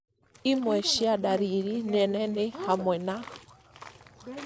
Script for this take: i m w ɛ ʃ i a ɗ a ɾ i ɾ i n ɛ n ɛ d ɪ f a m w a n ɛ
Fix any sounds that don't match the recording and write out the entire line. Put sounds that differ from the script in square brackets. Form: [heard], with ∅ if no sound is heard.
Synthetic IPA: i m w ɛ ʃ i a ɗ a ɾ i ɾ i n ɛ n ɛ [n] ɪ [h] a m w [ɛ] n [a]